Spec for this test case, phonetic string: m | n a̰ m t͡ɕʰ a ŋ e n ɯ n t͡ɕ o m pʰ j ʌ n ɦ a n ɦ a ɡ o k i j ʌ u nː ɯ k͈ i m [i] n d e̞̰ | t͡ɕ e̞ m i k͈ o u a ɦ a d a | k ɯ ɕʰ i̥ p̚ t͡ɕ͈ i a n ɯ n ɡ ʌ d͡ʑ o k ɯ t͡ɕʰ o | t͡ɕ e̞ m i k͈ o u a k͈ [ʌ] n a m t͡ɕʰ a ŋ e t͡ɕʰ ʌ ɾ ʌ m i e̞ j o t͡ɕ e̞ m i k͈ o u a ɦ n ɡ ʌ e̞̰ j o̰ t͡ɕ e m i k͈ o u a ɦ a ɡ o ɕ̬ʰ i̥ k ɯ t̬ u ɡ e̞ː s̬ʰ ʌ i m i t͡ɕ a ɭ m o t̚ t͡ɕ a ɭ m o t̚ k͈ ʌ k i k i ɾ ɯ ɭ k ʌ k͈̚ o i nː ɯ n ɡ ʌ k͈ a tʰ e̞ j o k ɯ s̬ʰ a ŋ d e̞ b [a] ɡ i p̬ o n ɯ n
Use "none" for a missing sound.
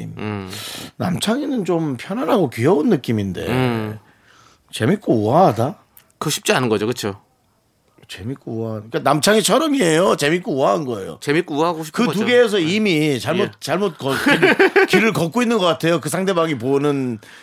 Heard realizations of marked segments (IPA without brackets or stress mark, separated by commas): i, a, a